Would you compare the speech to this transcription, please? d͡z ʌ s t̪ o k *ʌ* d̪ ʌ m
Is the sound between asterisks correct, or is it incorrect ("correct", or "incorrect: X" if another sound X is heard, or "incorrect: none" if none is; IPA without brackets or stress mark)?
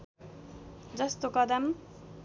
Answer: correct